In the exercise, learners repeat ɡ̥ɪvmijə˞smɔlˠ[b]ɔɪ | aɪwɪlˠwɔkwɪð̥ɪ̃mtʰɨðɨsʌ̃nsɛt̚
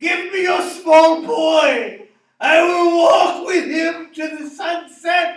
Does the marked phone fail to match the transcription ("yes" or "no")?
no